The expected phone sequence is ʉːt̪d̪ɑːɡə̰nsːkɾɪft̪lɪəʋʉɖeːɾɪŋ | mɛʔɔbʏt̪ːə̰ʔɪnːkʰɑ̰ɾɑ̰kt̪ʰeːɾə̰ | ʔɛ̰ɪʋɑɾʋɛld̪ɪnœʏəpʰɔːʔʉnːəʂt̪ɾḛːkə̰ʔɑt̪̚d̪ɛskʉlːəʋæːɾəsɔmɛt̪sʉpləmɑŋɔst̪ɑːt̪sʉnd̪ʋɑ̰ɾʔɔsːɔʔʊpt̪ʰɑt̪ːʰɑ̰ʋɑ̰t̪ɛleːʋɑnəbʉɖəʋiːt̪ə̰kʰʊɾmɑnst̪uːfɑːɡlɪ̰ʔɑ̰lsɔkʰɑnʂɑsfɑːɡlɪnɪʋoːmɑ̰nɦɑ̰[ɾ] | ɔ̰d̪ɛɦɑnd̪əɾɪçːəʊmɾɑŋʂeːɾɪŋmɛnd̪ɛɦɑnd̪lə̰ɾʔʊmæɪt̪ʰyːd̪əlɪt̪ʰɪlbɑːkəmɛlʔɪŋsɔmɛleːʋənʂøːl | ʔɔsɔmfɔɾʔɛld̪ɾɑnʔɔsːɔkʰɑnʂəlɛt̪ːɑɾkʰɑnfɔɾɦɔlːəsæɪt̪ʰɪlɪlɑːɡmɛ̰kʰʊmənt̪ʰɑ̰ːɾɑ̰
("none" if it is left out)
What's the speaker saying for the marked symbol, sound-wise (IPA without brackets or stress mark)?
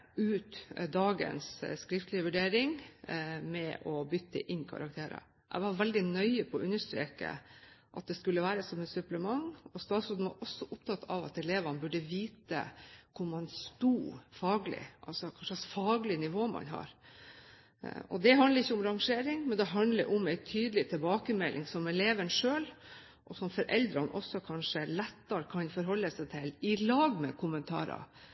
ɾ